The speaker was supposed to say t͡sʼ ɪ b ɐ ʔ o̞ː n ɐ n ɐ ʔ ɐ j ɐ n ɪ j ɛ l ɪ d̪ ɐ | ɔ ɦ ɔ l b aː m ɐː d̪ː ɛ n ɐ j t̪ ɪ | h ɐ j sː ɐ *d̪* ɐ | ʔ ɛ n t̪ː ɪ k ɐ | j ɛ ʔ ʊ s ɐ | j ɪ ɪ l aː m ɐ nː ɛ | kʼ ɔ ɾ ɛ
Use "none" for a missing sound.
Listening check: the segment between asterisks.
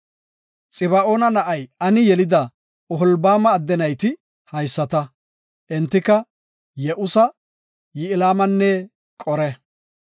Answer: t̪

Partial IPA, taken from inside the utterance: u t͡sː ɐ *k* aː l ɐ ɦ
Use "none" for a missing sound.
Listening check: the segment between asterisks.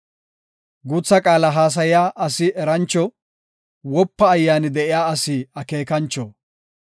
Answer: kʼ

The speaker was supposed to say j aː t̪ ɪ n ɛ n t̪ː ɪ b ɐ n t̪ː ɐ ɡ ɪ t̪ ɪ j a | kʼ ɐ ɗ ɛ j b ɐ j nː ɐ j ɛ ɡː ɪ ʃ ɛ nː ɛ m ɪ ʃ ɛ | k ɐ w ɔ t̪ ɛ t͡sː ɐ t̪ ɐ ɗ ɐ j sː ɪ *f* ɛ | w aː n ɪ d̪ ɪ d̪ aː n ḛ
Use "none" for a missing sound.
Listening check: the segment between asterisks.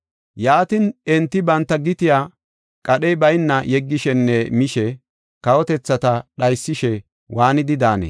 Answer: ʃ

